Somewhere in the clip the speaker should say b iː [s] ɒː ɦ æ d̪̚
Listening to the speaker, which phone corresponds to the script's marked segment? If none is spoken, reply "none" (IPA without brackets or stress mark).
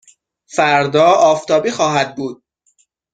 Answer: x